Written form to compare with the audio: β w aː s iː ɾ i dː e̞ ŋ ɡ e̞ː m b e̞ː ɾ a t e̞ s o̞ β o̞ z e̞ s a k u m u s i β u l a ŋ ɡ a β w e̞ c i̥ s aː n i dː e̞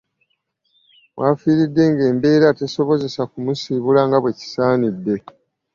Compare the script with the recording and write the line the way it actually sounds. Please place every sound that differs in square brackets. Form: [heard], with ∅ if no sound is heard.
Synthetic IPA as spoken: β w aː [f] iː ɾ i dː e̞ ŋ ɡ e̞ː m b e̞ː ɾ a t e̞ s o̞ β o̞ z e̞ s a k u m u s i β u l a ŋ ɡ a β w e̞ c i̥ s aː n i dː e̞